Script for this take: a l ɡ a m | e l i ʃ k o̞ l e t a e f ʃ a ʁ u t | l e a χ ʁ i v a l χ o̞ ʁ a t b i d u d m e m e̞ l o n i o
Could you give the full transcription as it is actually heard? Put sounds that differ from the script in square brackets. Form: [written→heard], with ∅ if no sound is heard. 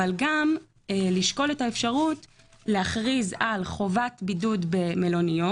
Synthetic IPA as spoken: a l ɡ a m | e l i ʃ k o̞ l e t a e f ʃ a ʁ u t | l e a χ ʁ i [v→z] a l χ o̞ [ʁ→v] a t b i d u d [m→b] e m e̞ l o n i o